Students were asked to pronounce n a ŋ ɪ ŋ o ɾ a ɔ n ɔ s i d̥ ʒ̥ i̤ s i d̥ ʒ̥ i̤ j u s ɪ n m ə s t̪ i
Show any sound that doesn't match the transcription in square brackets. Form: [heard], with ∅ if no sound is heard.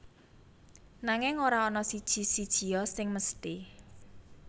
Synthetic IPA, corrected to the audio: n a ŋ ɪ ŋ o ɾ a ɔ n ɔ s i d̥ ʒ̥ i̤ s i d̥ ʒ̥ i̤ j [ɔ] s ɪ [ŋ] m ə s t̪ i